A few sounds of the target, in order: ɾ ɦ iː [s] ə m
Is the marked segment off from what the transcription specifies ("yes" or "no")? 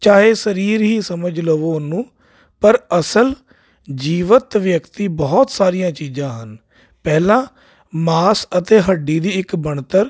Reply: no